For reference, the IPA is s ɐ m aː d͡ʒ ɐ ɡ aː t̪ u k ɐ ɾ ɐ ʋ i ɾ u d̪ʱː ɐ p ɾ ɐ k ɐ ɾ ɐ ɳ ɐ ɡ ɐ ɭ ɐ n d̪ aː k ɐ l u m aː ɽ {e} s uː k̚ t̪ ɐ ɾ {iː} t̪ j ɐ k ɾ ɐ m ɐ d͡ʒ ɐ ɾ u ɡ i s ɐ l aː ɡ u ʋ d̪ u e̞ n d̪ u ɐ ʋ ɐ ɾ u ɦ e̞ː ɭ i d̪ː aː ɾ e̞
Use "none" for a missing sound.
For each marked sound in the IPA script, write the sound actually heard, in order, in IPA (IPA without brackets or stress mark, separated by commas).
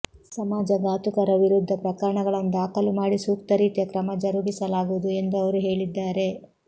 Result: i, iː